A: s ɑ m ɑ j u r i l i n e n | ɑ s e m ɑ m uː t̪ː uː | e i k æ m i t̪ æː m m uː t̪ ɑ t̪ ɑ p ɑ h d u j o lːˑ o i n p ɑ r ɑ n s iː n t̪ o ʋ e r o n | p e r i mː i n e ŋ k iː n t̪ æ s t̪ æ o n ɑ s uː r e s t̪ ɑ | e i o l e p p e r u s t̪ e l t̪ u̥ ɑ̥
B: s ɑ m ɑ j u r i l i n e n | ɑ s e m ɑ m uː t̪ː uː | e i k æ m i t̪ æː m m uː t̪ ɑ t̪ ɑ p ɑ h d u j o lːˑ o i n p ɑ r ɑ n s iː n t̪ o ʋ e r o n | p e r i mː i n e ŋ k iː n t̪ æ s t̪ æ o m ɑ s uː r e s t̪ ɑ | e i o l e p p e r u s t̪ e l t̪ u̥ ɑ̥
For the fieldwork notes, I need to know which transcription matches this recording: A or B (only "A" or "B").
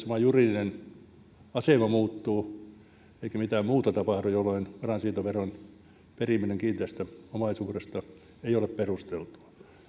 B